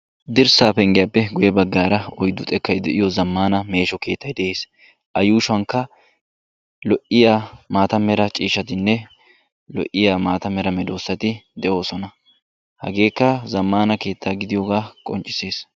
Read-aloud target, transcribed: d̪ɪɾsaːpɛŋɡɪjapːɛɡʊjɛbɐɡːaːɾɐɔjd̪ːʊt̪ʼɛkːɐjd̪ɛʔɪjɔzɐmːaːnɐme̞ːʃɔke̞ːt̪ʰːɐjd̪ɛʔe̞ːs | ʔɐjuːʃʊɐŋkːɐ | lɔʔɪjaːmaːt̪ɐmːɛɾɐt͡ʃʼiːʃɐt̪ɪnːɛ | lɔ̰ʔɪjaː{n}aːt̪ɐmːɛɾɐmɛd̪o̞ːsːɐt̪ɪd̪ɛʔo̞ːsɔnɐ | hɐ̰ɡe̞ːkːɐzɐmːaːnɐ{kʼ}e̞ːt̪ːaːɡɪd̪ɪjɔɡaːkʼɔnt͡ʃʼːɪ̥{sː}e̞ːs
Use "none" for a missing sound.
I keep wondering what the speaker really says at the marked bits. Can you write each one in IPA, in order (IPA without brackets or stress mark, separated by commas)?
m, k, s